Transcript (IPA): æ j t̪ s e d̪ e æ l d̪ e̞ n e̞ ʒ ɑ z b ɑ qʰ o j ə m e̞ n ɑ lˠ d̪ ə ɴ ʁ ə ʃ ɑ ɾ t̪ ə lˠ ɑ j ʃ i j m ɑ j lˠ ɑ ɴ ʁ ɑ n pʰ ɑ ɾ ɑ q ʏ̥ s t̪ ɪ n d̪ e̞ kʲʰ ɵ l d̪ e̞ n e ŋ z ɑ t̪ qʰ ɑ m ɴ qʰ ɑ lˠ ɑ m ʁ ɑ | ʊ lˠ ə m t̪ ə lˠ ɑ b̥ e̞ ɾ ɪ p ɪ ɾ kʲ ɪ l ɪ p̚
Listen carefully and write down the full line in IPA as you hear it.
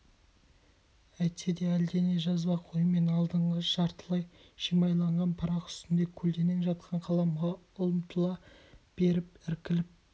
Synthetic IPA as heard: æ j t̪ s e d̪ e æ l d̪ e̞ n e̞ ʒ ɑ z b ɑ qʰ o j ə m e̞ n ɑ lˠ d̪ ə ɴ ʁ ə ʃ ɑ ɾ t̪ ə lˠ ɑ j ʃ i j m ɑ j lˠ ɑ ɴ ʁ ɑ n pʰ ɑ ɾ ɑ q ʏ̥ s t̪ ɪ n d̪ e̞ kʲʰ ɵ l d̪ e̞ n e ŋ ʒ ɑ t̪ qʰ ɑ ɴ qʰ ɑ lˠ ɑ m ʁ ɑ | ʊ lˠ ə m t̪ ə lˠ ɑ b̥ e̞ ɾ ɪ p ɪ ɾ kʲ ɪ l ɪ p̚